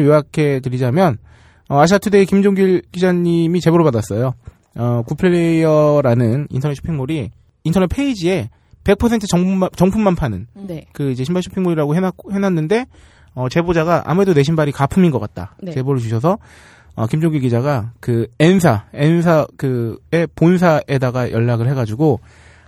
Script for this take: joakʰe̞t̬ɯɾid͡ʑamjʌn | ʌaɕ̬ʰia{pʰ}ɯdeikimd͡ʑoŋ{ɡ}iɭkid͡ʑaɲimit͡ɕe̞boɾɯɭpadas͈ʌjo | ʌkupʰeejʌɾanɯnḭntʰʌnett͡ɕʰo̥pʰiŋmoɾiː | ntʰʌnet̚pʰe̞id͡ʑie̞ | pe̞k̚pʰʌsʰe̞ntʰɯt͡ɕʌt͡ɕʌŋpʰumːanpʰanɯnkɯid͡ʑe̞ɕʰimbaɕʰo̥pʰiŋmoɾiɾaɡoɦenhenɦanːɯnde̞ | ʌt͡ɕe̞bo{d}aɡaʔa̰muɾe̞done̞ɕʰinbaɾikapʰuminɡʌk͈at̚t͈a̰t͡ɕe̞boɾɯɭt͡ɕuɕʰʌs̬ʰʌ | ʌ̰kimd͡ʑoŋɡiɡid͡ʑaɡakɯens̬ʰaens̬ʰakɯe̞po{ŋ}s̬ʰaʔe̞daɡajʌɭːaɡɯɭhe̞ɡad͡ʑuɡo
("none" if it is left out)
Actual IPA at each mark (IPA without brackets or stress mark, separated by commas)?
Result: tʰ, ɡ, d͡ʑ, n